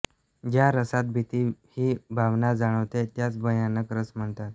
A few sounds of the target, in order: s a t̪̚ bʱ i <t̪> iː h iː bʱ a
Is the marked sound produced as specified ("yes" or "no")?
yes